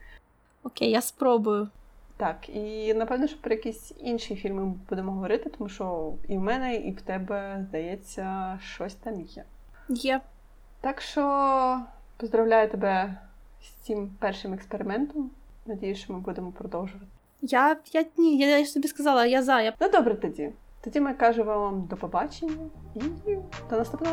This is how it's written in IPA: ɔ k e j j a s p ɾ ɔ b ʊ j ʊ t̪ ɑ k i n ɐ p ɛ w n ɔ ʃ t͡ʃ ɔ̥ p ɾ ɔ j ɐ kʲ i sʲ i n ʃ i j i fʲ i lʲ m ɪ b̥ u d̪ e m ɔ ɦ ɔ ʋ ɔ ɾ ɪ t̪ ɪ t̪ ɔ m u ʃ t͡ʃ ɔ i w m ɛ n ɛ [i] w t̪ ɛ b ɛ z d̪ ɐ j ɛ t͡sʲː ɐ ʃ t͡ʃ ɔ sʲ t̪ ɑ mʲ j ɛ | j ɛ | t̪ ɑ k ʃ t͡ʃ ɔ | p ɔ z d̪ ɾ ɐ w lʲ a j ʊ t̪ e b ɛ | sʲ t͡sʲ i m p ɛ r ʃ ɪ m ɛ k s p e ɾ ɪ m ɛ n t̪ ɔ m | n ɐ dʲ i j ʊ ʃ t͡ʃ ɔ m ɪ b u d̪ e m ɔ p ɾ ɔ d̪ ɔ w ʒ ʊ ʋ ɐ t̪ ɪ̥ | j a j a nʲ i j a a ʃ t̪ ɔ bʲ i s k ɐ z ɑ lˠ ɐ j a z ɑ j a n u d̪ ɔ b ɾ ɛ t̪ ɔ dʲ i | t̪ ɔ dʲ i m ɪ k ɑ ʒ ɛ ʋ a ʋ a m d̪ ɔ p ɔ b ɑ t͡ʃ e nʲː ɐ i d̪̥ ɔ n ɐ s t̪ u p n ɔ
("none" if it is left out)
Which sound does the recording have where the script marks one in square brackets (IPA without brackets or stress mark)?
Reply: i